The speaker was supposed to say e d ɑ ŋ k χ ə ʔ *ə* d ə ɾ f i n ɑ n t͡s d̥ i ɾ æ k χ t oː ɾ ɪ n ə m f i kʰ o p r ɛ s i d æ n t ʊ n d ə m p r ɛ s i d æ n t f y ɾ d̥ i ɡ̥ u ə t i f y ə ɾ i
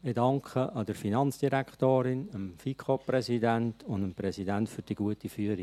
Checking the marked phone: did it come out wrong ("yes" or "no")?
yes